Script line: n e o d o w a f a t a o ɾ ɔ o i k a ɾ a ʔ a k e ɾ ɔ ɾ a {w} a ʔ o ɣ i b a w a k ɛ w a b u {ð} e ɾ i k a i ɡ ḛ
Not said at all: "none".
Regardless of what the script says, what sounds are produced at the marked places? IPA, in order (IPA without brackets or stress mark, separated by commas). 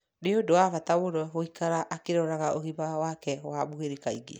ɣ, ɣ